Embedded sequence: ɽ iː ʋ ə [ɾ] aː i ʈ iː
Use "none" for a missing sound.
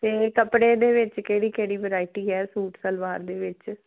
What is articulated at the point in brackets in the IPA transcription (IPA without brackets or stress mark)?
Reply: ɾ